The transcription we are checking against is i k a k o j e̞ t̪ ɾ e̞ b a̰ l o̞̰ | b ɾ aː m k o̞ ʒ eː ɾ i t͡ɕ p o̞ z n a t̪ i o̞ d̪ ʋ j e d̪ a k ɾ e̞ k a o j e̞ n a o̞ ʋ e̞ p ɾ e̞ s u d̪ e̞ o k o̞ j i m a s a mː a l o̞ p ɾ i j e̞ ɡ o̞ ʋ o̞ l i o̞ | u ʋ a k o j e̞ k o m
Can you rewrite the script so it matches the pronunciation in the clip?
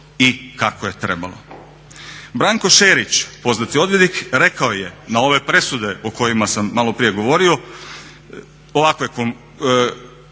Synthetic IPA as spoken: i k a k o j e̞ t̪ ɾ e̞ b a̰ l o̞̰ | b ɾ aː ŋ k o̞ ʃ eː ɾ i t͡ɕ p o̞ z n a t̪ i o̞ d̪ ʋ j e d̪ i k ɾ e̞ k a o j e̞ n a o̞ ʋ e̞ p ɾ e̞ s u d̪ e̞ o k o̞ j i m a s a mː a l o̞ p ɾ i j e̞ ɡ o̞ ʋ o̞ ɾ i o̞ | o ʋ a k o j e̞ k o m